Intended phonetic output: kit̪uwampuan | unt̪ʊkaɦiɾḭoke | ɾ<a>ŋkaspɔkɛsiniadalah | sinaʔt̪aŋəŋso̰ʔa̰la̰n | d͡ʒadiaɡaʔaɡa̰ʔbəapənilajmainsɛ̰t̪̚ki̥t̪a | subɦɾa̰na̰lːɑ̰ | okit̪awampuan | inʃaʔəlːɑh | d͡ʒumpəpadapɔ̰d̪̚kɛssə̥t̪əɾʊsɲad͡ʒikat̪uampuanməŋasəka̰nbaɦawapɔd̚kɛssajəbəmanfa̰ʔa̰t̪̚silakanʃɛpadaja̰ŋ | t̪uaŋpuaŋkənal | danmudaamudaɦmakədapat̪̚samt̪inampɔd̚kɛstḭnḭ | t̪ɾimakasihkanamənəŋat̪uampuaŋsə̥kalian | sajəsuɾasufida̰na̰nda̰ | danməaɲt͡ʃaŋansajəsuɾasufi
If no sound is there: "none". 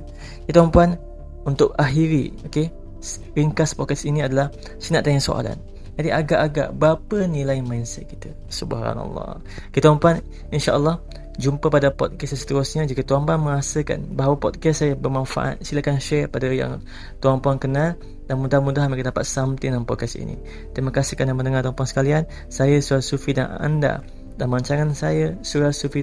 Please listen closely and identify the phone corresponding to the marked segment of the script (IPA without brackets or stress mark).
i